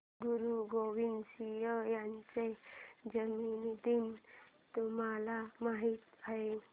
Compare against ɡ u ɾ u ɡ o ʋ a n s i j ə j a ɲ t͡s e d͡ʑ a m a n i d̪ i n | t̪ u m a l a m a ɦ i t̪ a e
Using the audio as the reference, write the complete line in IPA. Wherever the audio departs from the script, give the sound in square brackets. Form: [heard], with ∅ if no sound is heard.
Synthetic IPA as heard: ɡ u ɾ u ɡ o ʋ [i] n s i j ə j a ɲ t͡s e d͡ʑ [ə] m [i] n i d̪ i n | t̪ u m a l a m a ɦ i t̪ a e

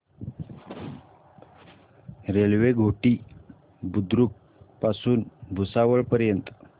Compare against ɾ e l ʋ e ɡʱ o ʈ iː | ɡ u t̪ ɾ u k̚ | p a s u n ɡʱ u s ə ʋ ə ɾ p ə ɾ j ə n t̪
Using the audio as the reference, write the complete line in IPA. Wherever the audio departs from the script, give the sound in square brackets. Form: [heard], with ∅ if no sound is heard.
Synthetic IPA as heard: ɾ e l ʋ e ɡʱ o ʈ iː | [b] u [d̪] ɾ u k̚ | p a s [uː] n [bʱ] u s [a] ʋ ə [ɭ] p ə ɾ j ə n t̪

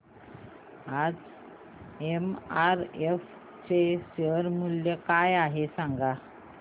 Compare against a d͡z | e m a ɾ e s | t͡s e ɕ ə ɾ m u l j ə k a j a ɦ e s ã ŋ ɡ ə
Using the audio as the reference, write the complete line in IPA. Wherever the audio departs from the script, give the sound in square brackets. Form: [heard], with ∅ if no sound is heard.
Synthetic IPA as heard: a d͡z | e m a ɾ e [f] | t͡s e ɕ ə ɾ m u l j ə k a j a ɦ e s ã ŋ ɡ [a]

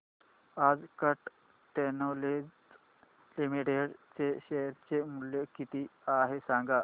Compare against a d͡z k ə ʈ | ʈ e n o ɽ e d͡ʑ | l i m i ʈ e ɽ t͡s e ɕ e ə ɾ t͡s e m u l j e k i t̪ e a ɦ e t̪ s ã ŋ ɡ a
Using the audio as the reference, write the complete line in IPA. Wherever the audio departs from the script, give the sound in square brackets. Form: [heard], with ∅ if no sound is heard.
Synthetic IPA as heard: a d͡z k ə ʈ | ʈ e n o [l] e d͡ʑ | l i m i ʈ e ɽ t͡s e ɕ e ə ɾ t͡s e m u l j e k i t̪ [i] a ɦ e [∅] s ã ŋ ɡ a

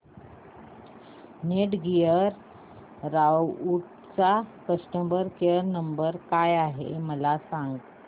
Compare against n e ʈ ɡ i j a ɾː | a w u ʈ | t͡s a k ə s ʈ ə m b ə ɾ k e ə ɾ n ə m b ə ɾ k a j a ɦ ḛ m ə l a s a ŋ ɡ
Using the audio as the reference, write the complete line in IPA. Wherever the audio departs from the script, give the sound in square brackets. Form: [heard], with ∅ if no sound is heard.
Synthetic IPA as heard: n e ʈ ɡ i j [ə] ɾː | a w u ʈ | t͡s a k ə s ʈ ə m b ə ɾ k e ə ɾ n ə m b ə ɾ k a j a ɦ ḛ m ə l a s a ŋ ɡ

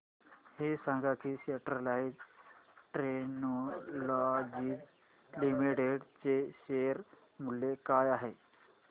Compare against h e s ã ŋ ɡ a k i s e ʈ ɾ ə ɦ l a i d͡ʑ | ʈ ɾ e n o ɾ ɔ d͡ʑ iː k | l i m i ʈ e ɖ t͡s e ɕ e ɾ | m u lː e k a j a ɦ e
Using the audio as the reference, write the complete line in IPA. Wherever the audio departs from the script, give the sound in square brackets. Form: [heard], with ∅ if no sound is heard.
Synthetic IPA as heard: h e s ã ŋ ɡ a k i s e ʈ ɾ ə [∅] l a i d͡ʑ | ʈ ɾ e n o [l] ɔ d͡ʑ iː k | l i m i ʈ e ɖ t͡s e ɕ e ɾ | m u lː e k a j a ɦ e

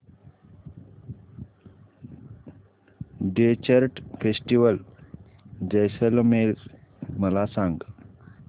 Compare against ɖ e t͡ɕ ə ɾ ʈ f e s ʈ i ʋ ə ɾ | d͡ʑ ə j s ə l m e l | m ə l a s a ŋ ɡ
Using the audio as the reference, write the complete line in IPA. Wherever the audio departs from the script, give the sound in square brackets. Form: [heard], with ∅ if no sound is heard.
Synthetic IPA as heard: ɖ e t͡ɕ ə ɾ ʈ f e s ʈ i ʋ ə [l] | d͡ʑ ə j s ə l m e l | m ə l a s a ŋ ɡ

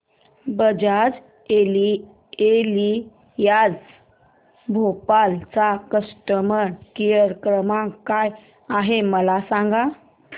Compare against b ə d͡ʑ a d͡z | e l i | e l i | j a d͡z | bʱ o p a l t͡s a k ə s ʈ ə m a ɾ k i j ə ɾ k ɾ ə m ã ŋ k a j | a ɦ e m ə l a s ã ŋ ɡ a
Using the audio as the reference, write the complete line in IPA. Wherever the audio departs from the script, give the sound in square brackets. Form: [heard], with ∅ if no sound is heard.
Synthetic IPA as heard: b ə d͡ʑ a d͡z | e l i | e l i | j a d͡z | bʱ o p a l t͡s a k ə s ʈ ə m [ə] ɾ k i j ə ɾ k ɾ ə m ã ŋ k a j | a ɦ e m ə l a s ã ŋ ɡ a

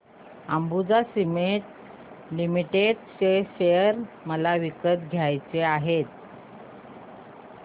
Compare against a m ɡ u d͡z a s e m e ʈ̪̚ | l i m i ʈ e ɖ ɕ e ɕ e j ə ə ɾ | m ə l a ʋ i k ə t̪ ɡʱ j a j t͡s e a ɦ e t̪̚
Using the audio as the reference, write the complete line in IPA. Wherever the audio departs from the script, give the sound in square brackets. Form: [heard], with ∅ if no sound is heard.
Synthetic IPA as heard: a m [b] u d͡z a s [i] m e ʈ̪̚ | l i m i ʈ e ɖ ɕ e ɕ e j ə ə ɾ | m ə l a ʋ i k ə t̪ ɡʱ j a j t͡s e a ɦ e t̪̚

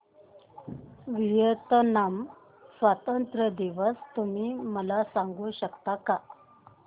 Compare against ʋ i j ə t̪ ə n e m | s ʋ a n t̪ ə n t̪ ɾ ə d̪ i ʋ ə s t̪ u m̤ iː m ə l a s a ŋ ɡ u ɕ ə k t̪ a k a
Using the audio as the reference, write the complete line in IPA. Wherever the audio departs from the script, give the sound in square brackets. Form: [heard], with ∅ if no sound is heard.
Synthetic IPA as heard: ʋ i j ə t̪ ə n [a] m | s ʋ a [∅] t̪ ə n t̪ ɾ ə d̪ i ʋ ə s t̪ u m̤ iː m ə l a s a ŋ ɡ u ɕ ə k t̪ a k a

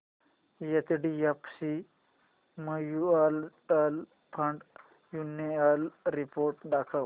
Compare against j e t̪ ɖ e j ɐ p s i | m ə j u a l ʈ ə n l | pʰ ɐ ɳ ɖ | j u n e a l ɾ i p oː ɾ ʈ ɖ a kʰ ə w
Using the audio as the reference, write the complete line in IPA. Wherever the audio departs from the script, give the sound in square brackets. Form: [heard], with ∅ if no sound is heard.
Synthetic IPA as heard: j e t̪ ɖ [i] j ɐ p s i | m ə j u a l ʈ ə [∅] l | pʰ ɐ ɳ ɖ | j u n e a l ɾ i p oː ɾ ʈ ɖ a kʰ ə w

